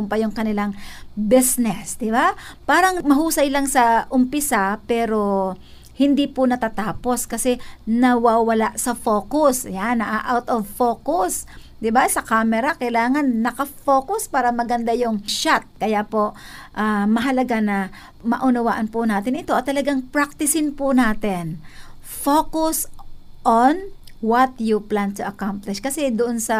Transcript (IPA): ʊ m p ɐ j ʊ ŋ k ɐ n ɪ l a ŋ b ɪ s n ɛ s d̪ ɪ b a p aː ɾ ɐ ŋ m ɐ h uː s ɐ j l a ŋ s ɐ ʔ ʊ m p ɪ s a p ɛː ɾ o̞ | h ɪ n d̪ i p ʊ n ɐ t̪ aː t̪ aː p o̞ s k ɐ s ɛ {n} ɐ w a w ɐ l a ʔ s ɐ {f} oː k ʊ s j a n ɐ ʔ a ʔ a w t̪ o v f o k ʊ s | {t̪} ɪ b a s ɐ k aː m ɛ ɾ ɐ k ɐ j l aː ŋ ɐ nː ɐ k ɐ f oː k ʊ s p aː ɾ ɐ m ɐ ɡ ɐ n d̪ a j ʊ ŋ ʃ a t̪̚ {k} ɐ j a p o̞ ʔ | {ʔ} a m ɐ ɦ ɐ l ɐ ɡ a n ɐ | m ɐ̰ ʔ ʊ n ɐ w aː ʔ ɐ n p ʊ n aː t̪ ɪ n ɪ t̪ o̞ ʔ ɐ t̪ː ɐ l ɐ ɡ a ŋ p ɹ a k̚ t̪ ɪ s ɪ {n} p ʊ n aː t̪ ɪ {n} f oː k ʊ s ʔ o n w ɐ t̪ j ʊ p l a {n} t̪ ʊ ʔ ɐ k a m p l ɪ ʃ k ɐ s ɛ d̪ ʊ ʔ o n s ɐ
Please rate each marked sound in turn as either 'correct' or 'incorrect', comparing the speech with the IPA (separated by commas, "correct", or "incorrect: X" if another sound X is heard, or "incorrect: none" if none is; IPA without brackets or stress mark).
correct, correct, incorrect: d̪, correct, correct, correct, correct, correct